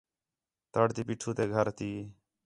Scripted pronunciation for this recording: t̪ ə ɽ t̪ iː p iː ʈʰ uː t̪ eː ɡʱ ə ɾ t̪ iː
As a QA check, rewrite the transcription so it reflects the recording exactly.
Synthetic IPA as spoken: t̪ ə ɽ t̪ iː p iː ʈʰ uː t̪ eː ɡʱ ə ɾ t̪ iː